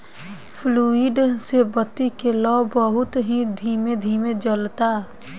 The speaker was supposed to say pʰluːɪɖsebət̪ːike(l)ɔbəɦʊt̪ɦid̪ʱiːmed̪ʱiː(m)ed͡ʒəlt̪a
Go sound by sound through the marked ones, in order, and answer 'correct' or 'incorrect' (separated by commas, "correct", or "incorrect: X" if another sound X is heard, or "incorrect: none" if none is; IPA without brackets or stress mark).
correct, correct